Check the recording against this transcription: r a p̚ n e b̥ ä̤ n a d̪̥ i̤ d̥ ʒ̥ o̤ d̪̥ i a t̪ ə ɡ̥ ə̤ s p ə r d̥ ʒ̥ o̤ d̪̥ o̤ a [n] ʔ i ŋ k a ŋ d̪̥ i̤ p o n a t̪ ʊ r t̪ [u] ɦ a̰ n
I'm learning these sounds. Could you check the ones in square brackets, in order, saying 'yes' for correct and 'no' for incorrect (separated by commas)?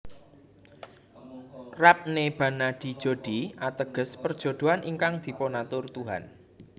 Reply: yes, yes